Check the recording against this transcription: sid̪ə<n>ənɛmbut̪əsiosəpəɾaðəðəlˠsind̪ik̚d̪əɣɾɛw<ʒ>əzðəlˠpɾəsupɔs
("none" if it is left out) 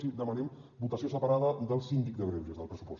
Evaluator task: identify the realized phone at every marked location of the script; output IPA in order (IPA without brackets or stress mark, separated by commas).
m, ʒ